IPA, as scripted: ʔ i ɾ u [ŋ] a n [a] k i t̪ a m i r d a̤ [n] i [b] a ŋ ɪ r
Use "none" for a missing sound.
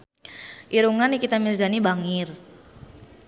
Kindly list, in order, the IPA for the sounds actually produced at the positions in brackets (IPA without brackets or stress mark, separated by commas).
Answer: ŋ, i, n, b